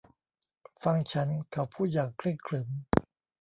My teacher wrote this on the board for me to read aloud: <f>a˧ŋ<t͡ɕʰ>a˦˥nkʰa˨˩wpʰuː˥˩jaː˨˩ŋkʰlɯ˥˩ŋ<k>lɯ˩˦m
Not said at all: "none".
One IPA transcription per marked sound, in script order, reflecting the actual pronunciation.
f, t͡ɕʰ, kʰ

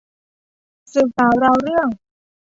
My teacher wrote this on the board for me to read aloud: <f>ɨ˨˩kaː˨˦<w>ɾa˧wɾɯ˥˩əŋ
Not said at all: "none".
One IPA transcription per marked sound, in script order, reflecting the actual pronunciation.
s, w

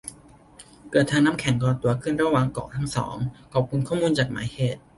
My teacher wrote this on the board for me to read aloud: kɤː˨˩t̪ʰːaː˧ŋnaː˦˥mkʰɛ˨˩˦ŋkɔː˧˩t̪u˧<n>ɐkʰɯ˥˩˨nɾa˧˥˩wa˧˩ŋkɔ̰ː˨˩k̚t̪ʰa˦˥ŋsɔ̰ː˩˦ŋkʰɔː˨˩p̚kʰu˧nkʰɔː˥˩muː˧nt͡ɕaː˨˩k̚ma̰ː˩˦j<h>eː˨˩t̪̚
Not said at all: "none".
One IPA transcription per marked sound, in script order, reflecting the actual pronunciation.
none, h

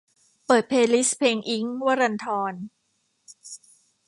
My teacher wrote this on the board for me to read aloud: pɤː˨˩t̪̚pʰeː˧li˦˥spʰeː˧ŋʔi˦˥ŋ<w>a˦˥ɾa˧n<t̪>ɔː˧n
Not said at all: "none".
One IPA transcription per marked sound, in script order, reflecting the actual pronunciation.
w, t̪ʰ

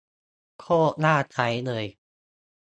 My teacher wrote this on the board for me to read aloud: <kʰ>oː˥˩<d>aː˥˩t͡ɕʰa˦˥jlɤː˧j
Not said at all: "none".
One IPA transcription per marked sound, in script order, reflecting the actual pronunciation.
kʰ, n

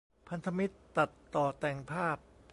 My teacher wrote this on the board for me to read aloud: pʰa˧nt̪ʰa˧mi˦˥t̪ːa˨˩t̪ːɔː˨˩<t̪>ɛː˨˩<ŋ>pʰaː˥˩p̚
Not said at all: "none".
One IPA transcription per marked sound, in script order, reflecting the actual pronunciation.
t̪, ŋ

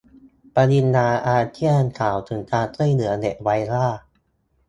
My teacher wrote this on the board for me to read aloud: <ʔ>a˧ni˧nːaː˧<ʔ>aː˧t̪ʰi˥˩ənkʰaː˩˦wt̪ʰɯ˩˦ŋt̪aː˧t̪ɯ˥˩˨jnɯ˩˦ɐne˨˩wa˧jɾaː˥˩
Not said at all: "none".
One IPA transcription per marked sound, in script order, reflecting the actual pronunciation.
p, ʔ

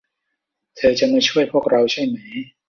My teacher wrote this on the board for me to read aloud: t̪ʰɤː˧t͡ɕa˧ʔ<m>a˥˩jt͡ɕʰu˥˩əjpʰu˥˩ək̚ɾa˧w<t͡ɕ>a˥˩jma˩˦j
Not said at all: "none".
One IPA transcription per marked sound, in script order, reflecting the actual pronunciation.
m, t͡ɕʰ

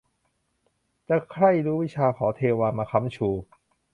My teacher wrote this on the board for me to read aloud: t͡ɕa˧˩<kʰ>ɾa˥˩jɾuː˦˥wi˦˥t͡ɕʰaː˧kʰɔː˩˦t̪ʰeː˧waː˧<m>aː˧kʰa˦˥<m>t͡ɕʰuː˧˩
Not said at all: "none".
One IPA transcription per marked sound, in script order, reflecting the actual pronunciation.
kʰ, m, m

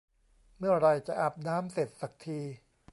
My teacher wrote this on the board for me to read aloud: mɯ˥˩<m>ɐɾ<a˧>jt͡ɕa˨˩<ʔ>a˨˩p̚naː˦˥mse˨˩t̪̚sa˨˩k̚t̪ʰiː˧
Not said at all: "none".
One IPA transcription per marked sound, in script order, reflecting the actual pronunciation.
none, a˧, ʔ

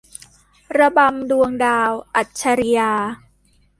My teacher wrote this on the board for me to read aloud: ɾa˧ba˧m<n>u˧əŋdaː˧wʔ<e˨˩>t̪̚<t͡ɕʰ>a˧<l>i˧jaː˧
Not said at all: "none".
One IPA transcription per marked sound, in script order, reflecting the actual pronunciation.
d, a˨˩, t͡ɕʰ, ɾ

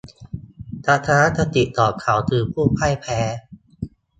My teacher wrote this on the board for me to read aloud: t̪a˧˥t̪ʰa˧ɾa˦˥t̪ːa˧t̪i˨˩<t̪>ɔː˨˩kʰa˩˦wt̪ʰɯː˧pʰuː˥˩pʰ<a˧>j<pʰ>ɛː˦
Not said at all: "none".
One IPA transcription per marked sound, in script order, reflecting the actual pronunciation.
t̪, a˥˩, pʰ

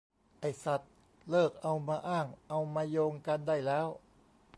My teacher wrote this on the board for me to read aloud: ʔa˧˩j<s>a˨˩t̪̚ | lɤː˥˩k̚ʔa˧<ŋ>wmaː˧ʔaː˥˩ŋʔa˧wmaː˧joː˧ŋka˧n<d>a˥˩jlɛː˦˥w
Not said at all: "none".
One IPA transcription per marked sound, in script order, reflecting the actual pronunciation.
s, none, d

